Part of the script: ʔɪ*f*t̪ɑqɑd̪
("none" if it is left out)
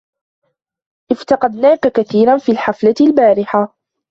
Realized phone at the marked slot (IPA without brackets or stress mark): f